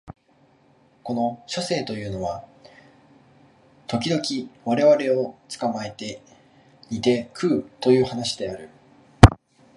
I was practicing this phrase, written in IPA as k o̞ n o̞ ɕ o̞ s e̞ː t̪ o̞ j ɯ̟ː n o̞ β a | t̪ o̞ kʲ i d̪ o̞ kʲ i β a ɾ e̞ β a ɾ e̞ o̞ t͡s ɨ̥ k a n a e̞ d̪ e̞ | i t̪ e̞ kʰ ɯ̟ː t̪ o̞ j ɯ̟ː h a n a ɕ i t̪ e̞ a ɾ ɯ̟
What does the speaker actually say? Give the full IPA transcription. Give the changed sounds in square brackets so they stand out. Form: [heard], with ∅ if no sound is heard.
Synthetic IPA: k o̞ n o̞ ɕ o̞ s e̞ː t̪ o̞ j ɯ̟ː n o̞ β a | t̪ o̞ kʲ i d̪ o̞ kʲ i β a ɾ e̞ β a ɾ e̞ o̞ t͡s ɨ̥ k a [m] a e̞ [t̪] e̞ | i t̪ e̞ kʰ ɯ̟ː t̪ o̞ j ɯ̟ː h a n a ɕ i [d̪] e̞ a ɾ ɯ̟